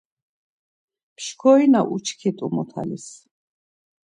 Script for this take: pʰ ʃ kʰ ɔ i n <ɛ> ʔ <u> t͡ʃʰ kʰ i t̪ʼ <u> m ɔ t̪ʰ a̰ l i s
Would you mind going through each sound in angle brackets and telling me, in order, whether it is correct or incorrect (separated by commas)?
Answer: incorrect, correct, correct